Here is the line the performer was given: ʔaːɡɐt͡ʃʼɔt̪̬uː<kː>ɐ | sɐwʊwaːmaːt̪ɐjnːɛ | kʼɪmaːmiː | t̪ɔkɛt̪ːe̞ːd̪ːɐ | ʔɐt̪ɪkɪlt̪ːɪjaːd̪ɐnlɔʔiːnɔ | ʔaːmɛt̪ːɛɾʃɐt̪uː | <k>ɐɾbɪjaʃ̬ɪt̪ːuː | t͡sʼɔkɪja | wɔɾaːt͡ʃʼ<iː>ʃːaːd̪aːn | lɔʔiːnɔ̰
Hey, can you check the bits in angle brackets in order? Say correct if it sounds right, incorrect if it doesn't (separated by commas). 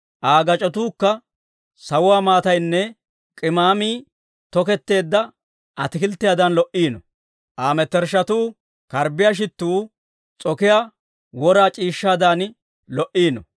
correct, correct, correct